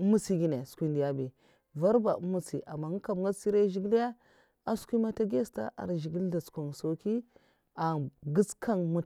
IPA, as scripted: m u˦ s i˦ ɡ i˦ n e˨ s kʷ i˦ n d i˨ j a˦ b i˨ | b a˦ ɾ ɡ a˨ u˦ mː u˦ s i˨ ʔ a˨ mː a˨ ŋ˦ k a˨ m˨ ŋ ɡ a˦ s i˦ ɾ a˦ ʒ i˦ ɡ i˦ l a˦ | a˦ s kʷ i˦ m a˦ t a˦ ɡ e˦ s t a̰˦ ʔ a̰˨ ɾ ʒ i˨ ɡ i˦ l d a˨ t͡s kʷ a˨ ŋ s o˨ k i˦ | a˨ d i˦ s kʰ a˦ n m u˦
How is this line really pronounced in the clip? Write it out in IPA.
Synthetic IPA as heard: m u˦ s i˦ ɡ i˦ n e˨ s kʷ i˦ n d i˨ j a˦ b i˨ | v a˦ ɾ b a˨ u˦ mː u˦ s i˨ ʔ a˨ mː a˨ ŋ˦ k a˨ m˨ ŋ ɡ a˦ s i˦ ɾ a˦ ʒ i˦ ɡ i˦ l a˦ | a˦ s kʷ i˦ m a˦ t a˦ ɡ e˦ s t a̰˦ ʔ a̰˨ ɾ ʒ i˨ ɡ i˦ l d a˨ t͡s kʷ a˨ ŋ s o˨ k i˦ | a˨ ɡ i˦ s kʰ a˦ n m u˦